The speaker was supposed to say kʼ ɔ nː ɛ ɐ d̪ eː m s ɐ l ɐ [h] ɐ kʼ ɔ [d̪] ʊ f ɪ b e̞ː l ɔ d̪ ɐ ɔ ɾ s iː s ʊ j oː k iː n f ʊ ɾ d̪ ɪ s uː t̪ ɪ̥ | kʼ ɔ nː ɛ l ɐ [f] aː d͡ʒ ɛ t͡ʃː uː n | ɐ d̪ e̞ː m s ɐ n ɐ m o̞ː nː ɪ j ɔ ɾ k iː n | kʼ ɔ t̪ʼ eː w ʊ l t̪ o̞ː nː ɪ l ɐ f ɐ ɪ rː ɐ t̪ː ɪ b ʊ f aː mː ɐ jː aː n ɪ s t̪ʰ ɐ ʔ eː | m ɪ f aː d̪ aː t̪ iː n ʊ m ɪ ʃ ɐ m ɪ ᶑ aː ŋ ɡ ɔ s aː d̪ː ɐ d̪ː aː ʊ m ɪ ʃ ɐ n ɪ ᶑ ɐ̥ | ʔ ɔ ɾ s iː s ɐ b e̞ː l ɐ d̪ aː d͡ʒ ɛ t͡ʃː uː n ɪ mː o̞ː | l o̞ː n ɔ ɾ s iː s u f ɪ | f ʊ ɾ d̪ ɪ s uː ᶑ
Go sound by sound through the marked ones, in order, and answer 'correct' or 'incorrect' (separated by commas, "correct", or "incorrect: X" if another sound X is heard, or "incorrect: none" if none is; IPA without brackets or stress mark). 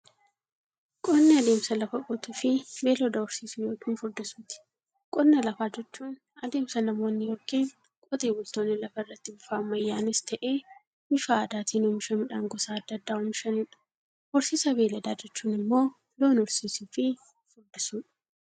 incorrect: f, incorrect: t̪, correct